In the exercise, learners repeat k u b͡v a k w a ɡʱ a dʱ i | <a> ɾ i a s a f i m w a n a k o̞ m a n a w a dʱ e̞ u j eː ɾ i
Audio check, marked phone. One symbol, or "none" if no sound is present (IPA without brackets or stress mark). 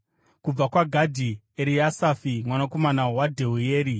e